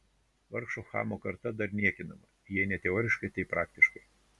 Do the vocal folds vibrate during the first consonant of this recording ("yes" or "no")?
yes